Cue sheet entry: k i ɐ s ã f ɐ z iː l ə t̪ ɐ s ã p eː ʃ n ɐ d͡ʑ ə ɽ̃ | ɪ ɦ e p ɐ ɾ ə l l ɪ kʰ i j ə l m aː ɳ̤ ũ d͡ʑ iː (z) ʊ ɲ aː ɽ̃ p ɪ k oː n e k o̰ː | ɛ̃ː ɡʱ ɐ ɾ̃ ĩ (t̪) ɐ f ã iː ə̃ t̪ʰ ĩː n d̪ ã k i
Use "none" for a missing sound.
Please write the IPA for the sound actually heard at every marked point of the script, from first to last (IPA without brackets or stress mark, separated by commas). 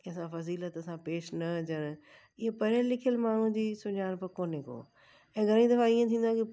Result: s, d̪